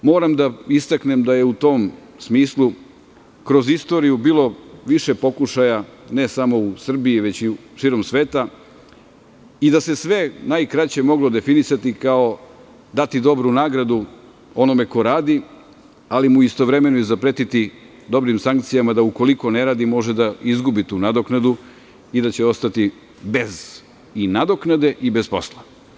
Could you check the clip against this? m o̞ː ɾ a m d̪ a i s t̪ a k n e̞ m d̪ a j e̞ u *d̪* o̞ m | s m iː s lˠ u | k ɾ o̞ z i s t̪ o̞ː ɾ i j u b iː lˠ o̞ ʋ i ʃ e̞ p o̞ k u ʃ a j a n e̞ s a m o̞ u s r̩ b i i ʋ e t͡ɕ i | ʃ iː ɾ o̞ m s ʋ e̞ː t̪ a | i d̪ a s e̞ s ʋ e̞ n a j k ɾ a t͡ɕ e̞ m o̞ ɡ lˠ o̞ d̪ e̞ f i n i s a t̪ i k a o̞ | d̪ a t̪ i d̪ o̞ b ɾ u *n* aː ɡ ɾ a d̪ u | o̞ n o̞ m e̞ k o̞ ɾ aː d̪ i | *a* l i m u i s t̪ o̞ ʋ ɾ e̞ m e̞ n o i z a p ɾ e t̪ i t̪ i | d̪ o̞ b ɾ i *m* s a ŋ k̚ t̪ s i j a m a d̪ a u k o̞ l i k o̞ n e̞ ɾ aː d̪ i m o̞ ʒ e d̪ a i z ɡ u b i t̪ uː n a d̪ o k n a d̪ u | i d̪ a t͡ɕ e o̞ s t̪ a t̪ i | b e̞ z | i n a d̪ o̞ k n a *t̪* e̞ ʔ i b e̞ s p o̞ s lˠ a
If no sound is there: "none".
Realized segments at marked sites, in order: t̪, n, a, m, d̪

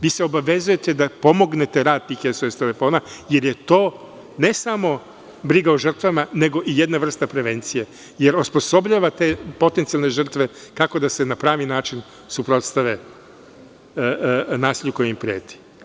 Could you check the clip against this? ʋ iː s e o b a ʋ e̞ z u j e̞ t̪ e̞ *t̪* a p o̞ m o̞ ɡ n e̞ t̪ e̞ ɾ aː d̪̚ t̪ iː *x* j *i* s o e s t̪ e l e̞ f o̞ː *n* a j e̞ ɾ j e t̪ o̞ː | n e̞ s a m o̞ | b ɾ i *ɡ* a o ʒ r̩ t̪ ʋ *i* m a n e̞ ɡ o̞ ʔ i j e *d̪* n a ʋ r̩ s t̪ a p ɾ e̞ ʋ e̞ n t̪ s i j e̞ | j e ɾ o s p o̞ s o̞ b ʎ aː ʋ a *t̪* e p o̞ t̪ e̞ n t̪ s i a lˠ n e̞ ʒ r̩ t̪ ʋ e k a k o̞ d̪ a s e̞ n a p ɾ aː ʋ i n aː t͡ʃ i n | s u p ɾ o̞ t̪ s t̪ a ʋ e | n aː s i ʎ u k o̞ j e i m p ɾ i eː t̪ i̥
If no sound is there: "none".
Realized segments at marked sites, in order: d̪, x, e, n, ɡ, a, d̪, t̪

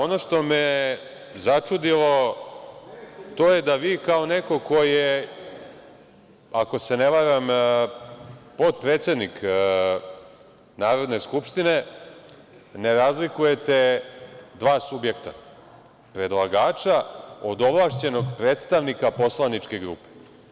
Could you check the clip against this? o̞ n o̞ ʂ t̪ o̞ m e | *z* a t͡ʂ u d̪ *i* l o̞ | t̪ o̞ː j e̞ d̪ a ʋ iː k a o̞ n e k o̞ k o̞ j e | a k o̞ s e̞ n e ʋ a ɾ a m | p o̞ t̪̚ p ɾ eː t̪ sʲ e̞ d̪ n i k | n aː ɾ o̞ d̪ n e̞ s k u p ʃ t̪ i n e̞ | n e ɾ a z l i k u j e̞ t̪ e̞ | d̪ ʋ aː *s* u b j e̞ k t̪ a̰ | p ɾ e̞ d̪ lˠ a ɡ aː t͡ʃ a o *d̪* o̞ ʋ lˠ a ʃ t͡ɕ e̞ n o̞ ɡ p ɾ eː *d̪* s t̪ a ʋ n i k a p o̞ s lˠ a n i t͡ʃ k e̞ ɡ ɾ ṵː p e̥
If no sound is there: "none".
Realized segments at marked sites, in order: z, i, s, d̪, t̪

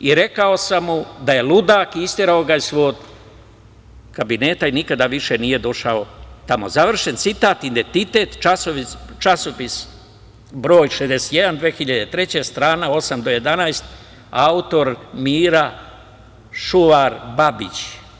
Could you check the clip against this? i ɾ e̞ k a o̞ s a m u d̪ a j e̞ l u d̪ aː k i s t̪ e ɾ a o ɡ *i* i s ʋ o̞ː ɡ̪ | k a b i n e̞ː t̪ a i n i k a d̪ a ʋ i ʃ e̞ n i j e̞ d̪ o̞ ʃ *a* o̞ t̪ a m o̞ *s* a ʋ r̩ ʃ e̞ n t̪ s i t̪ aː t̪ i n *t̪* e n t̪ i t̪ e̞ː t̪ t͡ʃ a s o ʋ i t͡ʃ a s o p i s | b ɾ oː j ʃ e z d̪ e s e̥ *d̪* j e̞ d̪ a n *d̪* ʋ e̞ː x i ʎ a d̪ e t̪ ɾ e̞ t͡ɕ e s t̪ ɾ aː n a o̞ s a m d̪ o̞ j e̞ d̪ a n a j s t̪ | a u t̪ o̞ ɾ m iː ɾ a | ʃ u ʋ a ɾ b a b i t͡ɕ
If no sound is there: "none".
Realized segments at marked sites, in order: a, a, z, d̪, t̪, d̪

